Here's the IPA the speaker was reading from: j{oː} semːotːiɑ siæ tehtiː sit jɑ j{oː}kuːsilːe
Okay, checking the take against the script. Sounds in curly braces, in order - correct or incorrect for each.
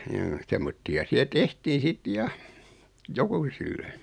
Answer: correct, incorrect: o

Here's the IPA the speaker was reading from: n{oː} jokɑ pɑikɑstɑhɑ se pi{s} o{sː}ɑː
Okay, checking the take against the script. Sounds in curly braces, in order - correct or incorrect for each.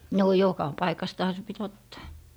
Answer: correct, incorrect: t, incorrect: tː

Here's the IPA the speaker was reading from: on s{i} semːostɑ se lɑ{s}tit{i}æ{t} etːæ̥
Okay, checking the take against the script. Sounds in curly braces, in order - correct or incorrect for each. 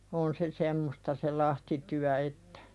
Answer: incorrect: e, incorrect: h, incorrect: y, incorrect: none

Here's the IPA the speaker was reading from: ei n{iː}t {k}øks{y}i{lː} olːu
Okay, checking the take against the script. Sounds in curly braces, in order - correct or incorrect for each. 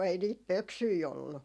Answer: correct, incorrect: p, correct, incorrect: none

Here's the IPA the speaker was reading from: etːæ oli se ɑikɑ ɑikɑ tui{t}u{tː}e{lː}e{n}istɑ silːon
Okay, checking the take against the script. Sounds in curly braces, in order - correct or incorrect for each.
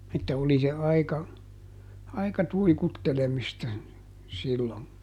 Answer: incorrect: k, correct, incorrect: l, incorrect: m

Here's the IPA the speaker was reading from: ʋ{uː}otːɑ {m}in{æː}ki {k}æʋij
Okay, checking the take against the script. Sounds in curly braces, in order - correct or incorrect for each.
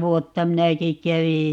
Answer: incorrect: u, correct, incorrect: æ, correct

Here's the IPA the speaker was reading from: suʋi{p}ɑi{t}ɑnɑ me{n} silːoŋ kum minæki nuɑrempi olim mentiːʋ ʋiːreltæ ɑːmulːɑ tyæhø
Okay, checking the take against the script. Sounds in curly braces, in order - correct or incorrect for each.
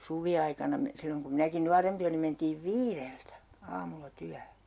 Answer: incorrect: none, incorrect: k, incorrect: none

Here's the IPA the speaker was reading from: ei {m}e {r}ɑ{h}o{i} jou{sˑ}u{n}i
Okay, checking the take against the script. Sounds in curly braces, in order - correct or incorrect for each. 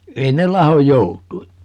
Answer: incorrect: n, incorrect: l, correct, incorrect: j, incorrect: tˑ, incorrect: none

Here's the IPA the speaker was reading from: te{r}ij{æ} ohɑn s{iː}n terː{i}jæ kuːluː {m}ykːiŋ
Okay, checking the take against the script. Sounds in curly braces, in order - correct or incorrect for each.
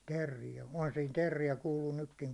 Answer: incorrect: rː, correct, correct, correct, incorrect: n

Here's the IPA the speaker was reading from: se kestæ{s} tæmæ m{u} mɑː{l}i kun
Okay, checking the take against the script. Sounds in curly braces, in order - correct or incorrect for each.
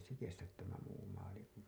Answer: incorrect: t, incorrect: uː, correct

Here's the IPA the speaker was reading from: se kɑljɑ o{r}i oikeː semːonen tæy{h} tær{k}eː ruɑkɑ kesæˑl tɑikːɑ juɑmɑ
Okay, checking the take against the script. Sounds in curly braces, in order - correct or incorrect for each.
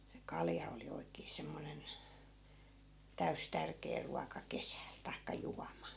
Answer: incorrect: l, incorrect: s, correct

